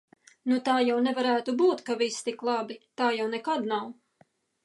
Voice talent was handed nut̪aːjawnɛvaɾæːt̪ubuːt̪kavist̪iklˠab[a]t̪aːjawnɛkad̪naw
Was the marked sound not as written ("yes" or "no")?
yes